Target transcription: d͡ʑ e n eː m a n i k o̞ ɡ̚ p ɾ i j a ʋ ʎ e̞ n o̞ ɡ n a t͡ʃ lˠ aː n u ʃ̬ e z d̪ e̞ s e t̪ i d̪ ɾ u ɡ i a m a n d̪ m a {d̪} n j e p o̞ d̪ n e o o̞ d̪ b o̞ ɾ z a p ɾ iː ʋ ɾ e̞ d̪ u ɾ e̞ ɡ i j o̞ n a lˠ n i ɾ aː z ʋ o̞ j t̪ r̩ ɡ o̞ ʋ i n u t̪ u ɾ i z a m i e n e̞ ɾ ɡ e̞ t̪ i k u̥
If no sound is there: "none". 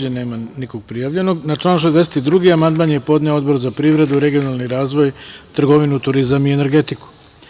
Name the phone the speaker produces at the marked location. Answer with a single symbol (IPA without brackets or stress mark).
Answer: none